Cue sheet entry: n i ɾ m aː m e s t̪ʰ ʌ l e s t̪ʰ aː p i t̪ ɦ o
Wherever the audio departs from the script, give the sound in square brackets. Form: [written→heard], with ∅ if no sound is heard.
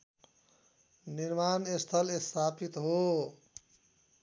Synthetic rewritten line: n i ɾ m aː [m→n] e s t̪ʰ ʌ l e s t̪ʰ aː p i t̪ ɦ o